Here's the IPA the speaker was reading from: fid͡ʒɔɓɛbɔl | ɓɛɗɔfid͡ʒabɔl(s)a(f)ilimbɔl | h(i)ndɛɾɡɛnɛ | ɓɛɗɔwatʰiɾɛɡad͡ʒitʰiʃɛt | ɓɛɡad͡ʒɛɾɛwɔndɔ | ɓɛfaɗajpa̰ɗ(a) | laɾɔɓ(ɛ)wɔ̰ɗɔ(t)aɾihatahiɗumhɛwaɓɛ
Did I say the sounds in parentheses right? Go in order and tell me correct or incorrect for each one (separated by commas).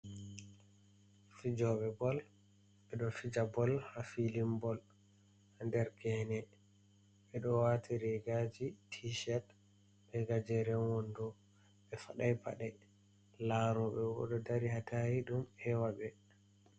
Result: incorrect, correct, incorrect, incorrect, correct, incorrect